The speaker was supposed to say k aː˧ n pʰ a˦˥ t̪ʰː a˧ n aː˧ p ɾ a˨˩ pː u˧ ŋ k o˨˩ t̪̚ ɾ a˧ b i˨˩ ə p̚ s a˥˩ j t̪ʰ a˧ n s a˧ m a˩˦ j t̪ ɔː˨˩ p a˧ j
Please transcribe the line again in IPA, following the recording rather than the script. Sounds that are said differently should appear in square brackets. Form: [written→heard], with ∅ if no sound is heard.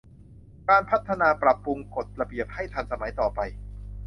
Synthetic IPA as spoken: k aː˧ n pʰ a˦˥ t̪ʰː a˧ n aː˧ p ɾ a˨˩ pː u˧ ŋ k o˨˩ t̪̚ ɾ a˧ b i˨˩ ə p̚ [s→h] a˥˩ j t̪ʰ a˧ n s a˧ m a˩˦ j t̪ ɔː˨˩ p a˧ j

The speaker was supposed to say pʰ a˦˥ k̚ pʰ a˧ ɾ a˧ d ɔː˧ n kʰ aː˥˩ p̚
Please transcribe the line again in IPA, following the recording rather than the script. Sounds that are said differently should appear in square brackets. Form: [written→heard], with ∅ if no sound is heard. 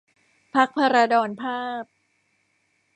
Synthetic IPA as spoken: pʰ a˦˥ k̚ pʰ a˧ ɾ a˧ d ɔː˧ n [kʰ→pʰ] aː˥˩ p̚

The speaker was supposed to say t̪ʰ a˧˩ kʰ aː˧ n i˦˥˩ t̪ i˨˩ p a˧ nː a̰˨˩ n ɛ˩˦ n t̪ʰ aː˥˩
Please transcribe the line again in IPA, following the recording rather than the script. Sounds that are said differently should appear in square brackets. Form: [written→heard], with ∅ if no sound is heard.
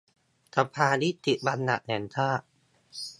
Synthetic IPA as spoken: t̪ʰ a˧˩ [kʰ→pʰ] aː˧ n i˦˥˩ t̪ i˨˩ [p→b] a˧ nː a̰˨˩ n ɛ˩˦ n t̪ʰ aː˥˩

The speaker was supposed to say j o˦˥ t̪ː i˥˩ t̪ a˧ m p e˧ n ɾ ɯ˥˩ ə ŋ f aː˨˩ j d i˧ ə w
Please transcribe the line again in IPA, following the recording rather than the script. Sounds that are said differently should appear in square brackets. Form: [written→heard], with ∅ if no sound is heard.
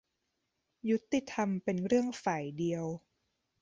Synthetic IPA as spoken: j [o˦˥→u˦˥] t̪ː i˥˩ [t̪→t̪ʰ] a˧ m p e˧ n ɾ ɯ˥˩ ə ŋ f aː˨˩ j d i˧ ə w

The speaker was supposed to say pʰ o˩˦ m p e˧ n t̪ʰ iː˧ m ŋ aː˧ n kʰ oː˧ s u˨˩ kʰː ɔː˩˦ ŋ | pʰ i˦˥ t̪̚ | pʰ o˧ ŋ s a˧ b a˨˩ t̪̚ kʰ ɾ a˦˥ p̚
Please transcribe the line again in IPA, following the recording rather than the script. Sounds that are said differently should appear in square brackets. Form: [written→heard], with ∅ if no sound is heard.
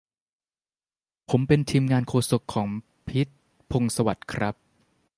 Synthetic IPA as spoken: pʰ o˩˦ m p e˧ n t̪ʰ iː˧ m ŋ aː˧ n kʰ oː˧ s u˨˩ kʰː ɔː˩˦ ŋ | pʰ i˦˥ t̪̚ | pʰ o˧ ŋ s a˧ [b→w] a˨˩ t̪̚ kʰ ɾ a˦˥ p̚

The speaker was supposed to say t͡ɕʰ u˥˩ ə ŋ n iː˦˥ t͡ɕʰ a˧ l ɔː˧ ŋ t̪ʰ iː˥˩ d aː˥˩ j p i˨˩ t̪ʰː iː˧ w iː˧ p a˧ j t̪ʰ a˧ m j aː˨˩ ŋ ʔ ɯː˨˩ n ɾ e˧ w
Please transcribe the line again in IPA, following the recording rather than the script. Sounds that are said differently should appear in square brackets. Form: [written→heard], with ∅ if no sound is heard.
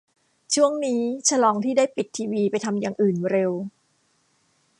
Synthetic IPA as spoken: t͡ɕʰ u˥˩ ə ŋ n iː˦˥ t͡ɕʰ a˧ l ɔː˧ ŋ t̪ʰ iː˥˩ d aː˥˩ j p i˨˩ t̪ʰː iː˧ w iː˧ p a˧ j t̪ʰ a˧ m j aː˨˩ ŋ ʔ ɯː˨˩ n ɾ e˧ w

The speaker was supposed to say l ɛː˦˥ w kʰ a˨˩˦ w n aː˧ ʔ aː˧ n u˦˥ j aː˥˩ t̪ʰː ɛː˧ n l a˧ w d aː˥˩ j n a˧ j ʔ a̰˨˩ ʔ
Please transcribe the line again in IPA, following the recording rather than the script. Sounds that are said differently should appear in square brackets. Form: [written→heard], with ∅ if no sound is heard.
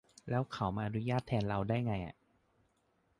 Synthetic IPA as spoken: l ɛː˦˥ w kʰ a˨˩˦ w [n→m] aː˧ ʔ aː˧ n u˦˥ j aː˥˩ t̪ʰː ɛː˧ n [l→ɾ] a˧ w d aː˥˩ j [n→ŋ] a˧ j ʔ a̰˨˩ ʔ

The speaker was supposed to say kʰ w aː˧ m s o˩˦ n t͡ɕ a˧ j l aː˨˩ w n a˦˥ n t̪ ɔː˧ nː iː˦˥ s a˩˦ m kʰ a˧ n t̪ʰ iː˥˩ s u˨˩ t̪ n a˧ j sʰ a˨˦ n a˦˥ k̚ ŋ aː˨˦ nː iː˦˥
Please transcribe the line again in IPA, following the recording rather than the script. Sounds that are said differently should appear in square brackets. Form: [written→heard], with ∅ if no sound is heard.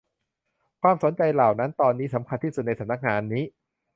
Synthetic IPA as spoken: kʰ w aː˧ m s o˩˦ n t͡ɕ a˧ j l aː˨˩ w n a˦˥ n t̪ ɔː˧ nː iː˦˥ s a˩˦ m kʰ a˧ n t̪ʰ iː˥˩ s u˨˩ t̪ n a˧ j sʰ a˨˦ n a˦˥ k̚ ŋ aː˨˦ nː iː˦˥

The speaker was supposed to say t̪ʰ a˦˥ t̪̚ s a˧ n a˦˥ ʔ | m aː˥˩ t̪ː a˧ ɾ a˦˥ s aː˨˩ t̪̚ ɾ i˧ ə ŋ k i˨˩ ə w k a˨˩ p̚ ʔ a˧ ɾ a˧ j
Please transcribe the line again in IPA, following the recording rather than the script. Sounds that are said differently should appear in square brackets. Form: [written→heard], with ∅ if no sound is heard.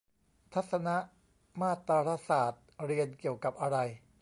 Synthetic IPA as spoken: t̪ʰ a˦˥ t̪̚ s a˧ n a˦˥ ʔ | m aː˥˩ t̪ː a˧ ɾ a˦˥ s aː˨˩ t̪̚ ɾ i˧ ə [ŋ→n] k i˨˩ ə w k a˨˩ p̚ ʔ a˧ ɾ a˧ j

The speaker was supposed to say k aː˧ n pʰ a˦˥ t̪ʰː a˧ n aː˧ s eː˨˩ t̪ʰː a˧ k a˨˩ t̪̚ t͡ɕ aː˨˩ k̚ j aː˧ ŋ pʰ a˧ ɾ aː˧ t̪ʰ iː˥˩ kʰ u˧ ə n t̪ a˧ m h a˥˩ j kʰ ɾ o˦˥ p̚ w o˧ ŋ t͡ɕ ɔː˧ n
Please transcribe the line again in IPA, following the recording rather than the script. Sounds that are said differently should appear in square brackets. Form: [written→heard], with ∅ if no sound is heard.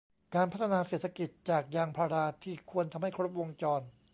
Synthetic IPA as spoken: k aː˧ n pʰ a˦˥ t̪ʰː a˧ n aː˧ s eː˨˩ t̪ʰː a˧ k [a˨˩→i˨˩] t̪̚ t͡ɕ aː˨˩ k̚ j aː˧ ŋ pʰ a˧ ɾ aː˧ t̪ʰ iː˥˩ kʰ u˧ ə n [t̪→t̪ʰ] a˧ m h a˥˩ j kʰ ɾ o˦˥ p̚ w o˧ ŋ t͡ɕ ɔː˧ n

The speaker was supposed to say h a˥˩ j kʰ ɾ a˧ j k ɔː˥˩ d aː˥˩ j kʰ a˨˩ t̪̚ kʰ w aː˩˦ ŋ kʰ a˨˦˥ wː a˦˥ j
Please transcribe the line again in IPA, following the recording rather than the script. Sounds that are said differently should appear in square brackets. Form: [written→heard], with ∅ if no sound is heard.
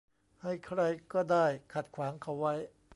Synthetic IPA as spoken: h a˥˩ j kʰ ɾ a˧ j k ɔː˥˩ d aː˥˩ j kʰ a˨˩ t̪̚ kʰ w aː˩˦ ŋ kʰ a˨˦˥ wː a˦˥ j

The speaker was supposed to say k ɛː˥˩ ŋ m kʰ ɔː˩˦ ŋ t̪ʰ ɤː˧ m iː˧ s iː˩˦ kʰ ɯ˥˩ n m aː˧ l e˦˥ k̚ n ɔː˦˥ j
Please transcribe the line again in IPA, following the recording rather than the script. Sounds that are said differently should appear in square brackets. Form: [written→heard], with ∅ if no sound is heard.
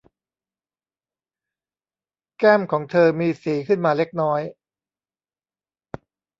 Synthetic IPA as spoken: k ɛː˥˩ [ŋ→∅] m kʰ ɔː˩˦ ŋ t̪ʰ ɤː˧ m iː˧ s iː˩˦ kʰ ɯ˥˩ n m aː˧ l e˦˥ k̚ n ɔː˦˥ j

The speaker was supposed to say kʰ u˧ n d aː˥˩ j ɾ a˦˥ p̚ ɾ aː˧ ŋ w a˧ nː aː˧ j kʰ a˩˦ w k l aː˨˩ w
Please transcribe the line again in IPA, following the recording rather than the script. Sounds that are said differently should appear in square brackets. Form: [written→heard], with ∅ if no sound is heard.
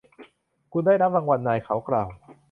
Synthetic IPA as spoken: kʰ u˧ n d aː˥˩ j ɾ a˦˥ p̚ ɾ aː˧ ŋ w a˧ nː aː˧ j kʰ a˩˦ w k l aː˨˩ w

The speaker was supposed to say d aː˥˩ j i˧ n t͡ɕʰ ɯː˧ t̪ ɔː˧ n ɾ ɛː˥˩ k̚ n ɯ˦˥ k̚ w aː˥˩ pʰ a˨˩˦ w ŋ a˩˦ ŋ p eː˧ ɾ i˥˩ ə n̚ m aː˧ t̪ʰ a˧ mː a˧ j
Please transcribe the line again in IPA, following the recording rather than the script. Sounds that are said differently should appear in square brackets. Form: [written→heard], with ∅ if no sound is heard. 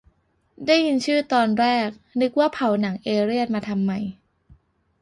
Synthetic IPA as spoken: d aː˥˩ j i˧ n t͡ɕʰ [ɯː˧→ɯː˥˩] t̪ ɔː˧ n ɾ ɛː˥˩ k̚ n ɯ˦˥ k̚ w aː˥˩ pʰ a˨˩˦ w [ŋ→n] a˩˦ ŋ [p→ʔ] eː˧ ɾ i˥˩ ə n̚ m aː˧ t̪ʰ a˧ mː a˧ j

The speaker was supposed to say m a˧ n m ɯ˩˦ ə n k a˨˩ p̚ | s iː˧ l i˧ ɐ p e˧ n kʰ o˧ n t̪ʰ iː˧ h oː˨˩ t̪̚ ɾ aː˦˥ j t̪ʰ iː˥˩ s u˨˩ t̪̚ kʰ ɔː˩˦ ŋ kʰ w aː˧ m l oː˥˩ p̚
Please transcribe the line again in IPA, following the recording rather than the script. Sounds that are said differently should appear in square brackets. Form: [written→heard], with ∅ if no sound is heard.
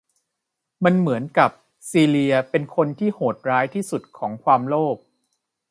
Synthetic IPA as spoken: m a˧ n m ɯ˩˦ ə n k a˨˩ p̚ | s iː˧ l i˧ ɐ p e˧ n kʰ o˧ n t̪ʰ [iː˧→iː˥˩] h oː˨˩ t̪̚ ɾ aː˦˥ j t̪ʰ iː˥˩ s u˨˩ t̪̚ kʰ ɔː˩˦ ŋ kʰ w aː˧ m l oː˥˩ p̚

